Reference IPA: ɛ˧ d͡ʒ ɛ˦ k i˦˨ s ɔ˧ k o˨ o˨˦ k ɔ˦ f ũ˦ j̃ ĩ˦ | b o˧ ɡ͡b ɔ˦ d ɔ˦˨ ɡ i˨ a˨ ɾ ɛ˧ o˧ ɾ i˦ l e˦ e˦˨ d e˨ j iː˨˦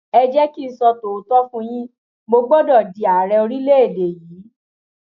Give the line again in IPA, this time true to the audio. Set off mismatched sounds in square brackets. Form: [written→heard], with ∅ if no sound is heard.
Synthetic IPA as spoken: ɛ˧ d͡ʒ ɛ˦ k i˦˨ s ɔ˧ [k→t] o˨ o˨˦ [k→t] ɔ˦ f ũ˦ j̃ ĩ˦ | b o˧ ɡ͡b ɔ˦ d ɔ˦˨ [ɡ→d] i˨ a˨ ɾ ɛ˧ o˧ ɾ i˦ l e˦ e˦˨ d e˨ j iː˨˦